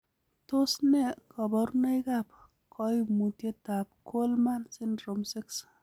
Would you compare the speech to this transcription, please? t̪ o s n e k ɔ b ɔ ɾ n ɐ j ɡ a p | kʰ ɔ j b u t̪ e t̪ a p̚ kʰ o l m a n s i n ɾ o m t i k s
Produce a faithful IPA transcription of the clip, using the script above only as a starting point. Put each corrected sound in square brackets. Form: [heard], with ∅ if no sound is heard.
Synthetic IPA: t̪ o s n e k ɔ b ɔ ɾ n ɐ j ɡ a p | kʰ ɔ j [m] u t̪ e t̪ a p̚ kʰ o l m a n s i n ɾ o m [s] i k s

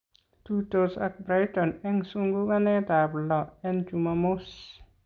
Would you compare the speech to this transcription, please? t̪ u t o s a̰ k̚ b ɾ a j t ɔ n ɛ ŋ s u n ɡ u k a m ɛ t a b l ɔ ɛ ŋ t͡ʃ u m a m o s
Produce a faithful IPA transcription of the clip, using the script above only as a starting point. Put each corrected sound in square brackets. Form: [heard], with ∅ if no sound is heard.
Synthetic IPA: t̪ u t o s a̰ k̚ b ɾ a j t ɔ n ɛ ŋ s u [ŋ] ɡ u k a [n] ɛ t a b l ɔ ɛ [n] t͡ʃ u m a m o s

